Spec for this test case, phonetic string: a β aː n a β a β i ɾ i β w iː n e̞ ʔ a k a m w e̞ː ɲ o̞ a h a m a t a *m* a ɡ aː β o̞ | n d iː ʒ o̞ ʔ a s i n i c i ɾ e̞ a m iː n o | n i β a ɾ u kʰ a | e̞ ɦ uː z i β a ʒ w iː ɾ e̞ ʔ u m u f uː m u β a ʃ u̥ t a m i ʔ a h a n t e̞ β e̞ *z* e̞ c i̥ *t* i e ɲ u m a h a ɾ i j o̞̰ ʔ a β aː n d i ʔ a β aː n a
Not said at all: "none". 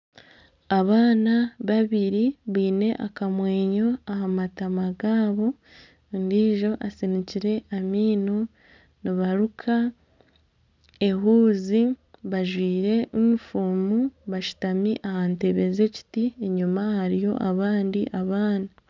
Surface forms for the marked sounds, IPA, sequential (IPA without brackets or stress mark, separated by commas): m, z, t